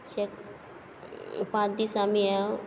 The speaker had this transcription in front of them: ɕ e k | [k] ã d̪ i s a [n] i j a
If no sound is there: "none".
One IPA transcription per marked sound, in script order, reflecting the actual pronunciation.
p, m

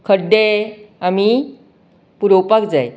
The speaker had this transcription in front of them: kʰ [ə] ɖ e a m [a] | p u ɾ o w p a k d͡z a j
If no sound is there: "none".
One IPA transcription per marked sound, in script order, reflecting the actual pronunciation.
ə, i

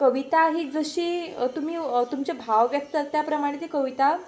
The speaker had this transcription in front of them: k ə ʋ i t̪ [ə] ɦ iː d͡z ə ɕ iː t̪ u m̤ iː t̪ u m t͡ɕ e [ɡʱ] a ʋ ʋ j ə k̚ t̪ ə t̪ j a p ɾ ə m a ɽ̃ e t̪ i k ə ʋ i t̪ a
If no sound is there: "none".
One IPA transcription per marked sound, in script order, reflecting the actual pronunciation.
a, bʱ

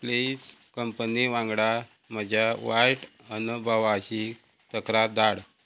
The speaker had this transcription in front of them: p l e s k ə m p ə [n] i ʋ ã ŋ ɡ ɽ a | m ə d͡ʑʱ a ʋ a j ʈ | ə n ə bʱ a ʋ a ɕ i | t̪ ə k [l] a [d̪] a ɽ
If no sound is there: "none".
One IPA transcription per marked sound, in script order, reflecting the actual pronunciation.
n, ɾ, d̪

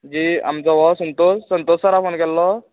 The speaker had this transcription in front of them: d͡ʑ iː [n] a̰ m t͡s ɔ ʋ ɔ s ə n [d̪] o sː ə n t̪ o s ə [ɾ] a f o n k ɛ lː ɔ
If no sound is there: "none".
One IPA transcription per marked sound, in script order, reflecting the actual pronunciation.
none, t̪, ɾ

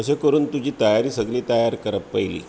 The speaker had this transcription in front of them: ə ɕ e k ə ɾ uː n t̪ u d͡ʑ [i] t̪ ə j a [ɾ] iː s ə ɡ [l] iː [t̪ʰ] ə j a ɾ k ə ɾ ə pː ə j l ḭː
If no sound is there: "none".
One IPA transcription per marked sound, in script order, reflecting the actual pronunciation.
iː, ɾ, l, t̪

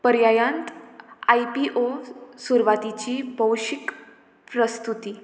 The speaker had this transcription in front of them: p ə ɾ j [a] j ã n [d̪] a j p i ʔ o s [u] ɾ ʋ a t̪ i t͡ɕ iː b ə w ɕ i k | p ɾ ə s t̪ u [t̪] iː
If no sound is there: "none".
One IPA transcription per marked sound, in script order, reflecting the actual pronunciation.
a, t̪, u, t̪

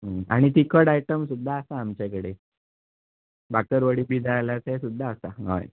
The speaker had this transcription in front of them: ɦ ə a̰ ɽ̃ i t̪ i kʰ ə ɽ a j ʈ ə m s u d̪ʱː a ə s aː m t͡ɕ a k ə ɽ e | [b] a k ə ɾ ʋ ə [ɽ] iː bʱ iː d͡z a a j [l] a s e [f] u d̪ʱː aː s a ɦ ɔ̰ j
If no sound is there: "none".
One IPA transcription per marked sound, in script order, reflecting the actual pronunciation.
b, ɽ, l, s

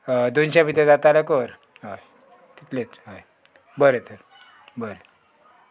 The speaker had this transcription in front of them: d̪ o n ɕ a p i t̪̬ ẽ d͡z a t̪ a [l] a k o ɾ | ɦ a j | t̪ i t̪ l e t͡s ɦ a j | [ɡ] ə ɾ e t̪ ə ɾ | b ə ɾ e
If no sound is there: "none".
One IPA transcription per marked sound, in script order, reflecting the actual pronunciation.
l, b

